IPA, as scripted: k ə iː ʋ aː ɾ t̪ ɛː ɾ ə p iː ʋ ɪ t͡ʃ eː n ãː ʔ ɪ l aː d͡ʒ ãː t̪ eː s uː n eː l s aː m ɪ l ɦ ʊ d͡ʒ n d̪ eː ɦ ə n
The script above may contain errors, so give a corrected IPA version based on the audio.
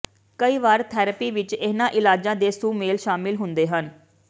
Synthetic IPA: k ə iː ʋ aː ɾ t̪ʰ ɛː ɾ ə p iː ʋ ɪ t͡ʃ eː n ãː ʔ ɪ l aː d͡ʒ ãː d̪ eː s uː m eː l ʃ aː m ɪ l ɦ ʊ n d̪ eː ɦ ə n

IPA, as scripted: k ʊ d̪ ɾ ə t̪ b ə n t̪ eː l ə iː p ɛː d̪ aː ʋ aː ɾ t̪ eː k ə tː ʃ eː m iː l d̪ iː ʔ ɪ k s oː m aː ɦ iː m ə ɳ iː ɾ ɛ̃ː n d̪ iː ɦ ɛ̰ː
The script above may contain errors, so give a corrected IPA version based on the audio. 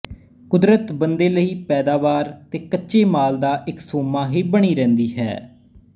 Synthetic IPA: k ʊ d̪ ɾ ə t̪ b ə n d̪ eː l ə iː p ɛː d̪ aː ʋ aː ɾ t̪ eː k ə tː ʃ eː m aː l d̪ aː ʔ ɪ k s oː m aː ɦ iː b ə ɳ iː ɾ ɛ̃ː n d̪ iː ɦ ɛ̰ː

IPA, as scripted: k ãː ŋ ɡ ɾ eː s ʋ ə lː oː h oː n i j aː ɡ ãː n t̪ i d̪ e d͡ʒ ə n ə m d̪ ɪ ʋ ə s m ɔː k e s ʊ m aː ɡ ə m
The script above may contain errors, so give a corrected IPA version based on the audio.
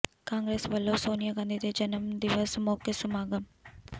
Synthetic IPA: k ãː ŋ ɡ ɾ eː s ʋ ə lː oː s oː n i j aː ɡ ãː n d̪ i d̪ e d͡ʒ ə n ə m d̪ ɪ ʋ ə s m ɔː k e s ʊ m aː ɡ ə m

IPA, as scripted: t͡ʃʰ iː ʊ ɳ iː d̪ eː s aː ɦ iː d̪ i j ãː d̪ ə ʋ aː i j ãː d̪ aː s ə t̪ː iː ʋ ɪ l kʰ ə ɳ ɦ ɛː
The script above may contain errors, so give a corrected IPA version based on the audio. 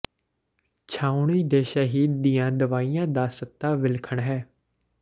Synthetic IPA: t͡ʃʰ aː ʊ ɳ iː d̪ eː ʃ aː ɦ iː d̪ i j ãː d̪ ə ʋ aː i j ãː d̪ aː s ə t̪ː aː ʋ ɪ l kʰ ə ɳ ɦ ɛː

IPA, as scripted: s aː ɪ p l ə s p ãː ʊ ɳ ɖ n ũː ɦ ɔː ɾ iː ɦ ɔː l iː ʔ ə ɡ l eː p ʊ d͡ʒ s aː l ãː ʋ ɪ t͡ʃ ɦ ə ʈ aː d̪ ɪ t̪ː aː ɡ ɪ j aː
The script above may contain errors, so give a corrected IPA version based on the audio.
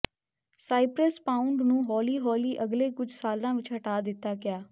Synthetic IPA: s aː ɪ p ɾ ə s p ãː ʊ ɳ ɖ n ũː ɦ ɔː l iː ɦ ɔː l iː ʔ ə ɡ l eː k ʊ d͡ʒ s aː l ãː ʋ ɪ t͡ʃ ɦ ə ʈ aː d̪ ɪ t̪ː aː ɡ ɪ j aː

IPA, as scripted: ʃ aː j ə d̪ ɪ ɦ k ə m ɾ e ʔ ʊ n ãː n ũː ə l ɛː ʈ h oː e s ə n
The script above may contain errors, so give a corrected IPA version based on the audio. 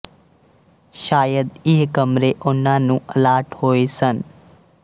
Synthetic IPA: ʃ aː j ə d̪ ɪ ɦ k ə m ɾ e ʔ ʊ n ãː n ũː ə l aː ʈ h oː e s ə n

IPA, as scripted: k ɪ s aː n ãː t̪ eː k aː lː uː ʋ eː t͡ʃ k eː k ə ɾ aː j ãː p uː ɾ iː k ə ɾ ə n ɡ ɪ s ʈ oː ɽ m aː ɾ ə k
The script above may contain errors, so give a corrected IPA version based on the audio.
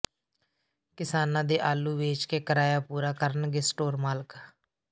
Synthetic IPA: k ɪ s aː n ãː d̪ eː ʔ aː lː uː ʋ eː t͡ʃ k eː k ə ɾ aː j aː p uː ɾ aː k ə ɾ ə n ɡ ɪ s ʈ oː ɾ m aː l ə k

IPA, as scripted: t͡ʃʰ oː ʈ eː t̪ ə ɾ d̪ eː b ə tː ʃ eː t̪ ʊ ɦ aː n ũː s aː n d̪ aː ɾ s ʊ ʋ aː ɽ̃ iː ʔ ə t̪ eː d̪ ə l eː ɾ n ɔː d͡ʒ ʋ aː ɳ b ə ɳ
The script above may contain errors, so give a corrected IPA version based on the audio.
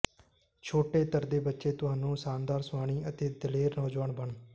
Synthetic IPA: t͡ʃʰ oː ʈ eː t̪ ə ɾ d̪ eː b ə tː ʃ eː t̪ ʊ ɦ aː n ũː s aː n d̪ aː ɾ s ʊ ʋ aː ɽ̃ iː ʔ ə t̪ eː d̪ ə l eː ɾ n ɔː d͡ʒ ʋ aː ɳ b ə ɳ

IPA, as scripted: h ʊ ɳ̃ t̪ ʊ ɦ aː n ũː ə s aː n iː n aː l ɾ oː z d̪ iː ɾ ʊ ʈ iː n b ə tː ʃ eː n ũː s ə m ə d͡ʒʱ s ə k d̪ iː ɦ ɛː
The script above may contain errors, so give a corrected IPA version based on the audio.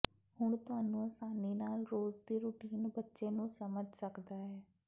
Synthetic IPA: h ʊ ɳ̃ t̪ ʊ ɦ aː n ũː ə s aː n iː n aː l ɾ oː z d̪ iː ɾ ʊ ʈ iː n b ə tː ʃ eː n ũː s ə m ə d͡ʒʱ s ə k d̪ aː ɦ ɛː

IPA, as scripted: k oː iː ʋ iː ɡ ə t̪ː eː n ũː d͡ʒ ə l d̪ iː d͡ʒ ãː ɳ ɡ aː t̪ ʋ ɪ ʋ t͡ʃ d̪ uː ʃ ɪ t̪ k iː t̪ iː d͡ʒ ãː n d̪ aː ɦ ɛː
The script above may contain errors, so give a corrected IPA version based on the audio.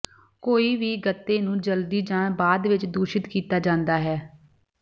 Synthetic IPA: k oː iː ʋ iː ɡ ə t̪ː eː n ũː d͡ʒ ə l d̪ iː d͡ʒ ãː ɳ b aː d̪ ʋ ɪ t͡ʃ d̪ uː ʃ ɪ t̪ k iː t̪ aː d͡ʒ ãː n d̪ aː ɦ ɛː

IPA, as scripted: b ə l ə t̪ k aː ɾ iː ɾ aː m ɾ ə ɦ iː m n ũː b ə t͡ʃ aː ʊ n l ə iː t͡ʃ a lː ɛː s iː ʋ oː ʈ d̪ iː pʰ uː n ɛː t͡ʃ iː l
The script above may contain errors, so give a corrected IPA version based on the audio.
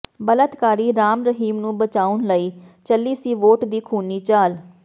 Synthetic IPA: b ə l ə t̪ k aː ɾ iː ɾ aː m ɾ ə ɦ iː m n ũː b ə t͡ʃ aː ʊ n l ə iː t͡ʃ ə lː iː s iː ʋ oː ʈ d̪ iː kʰ uː n iː t͡ʃ aː l

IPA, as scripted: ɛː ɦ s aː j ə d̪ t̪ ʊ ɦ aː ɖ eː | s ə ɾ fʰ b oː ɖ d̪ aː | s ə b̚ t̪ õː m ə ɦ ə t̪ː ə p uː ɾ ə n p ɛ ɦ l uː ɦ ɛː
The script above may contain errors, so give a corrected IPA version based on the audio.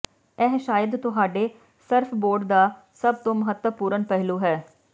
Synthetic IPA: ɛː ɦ ʃ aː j ə d̪ t̪ ʊ ɦ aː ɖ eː | s ə ɾ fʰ b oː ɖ d̪ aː | s ə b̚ t̪ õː m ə ɦ ə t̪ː ə p uː ɾ ə n p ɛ ɦ l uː ɦ ɛː

